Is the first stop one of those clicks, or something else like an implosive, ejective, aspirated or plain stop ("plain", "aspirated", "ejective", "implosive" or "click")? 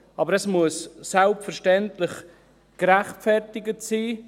plain